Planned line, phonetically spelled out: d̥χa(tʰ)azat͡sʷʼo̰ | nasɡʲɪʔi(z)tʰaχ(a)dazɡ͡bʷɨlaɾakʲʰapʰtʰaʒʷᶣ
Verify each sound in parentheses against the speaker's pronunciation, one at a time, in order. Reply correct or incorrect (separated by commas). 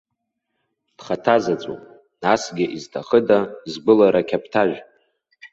correct, correct, incorrect